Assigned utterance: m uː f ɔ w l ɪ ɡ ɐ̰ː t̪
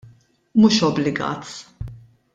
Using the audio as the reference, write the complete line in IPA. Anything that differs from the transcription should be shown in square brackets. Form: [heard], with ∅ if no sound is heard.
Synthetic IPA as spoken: m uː [ʃ] ɔ [b] l ɪ ɡ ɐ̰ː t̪